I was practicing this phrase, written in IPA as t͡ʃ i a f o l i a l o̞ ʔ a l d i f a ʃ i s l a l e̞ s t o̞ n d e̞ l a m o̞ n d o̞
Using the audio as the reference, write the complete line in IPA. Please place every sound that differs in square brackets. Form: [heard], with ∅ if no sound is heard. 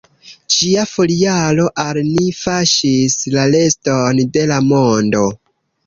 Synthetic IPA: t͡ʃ i a f o l i a l o̞ ʔ a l [n] i f a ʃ i s l a l e̞ s t o̞ n d e̞ l a m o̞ n d o̞